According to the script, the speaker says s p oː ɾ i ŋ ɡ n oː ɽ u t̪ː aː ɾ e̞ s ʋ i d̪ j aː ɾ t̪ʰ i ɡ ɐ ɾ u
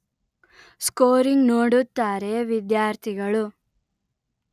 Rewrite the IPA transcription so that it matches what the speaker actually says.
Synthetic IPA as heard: s k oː ɾ i ŋ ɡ n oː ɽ u t̪ː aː ɾ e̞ ʋ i d̪ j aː ɾ t̪ʰ i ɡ ɐ ɭ u